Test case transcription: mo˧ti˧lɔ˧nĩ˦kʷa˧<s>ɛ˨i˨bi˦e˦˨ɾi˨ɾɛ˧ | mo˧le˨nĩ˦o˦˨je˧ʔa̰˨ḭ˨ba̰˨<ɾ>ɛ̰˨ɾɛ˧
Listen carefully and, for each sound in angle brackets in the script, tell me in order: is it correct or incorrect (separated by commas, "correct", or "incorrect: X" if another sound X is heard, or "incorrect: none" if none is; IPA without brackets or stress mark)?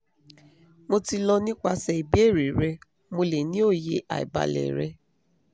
correct, incorrect: l